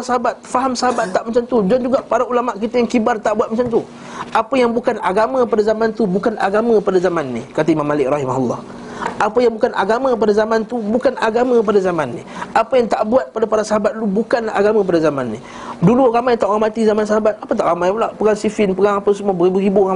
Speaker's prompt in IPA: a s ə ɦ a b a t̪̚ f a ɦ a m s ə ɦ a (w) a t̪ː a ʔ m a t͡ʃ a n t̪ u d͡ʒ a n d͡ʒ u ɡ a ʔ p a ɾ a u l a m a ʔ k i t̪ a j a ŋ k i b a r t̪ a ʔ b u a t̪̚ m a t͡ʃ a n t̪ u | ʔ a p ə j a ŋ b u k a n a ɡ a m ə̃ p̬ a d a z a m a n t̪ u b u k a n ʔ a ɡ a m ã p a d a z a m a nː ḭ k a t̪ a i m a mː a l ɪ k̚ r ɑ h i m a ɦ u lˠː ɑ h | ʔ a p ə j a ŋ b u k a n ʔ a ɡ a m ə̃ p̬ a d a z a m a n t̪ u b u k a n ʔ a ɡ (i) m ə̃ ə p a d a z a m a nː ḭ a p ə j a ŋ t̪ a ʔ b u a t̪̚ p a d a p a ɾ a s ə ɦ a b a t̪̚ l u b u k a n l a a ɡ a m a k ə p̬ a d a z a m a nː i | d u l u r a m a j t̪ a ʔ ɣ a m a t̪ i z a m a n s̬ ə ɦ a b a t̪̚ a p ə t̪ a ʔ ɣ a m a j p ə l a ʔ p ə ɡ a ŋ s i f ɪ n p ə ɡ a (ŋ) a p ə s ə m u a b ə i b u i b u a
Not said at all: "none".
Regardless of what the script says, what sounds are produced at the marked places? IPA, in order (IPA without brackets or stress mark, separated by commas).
b, a, ŋ